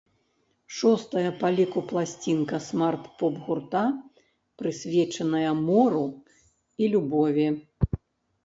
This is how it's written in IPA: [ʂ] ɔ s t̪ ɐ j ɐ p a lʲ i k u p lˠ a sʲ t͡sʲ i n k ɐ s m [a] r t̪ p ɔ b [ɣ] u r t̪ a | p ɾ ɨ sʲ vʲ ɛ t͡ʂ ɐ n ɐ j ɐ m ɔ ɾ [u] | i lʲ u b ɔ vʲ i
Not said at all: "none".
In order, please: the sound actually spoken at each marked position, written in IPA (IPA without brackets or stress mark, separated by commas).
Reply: ʂ, a, ɣ, u